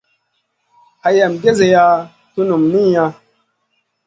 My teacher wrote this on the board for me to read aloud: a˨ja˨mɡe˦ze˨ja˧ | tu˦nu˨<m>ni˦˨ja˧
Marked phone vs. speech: correct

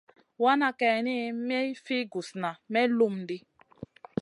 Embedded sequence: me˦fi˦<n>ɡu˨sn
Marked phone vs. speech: incorrect: none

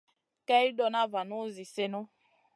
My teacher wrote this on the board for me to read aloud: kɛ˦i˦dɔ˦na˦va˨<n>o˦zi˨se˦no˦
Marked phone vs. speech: correct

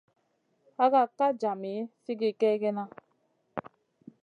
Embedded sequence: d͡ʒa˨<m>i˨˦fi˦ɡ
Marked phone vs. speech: correct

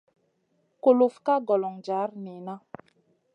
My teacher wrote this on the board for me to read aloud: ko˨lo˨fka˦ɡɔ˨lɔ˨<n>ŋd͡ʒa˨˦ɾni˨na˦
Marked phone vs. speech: incorrect: none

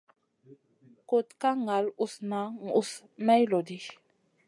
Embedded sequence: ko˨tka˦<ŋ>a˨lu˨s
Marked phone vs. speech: correct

